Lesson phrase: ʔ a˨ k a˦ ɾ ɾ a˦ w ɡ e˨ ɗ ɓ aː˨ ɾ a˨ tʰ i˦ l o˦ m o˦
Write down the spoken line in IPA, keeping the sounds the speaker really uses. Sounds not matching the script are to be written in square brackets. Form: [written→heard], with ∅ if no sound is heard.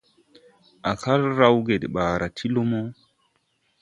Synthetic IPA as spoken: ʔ a˨ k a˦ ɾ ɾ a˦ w ɡ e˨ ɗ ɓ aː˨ ɾ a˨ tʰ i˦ l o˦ m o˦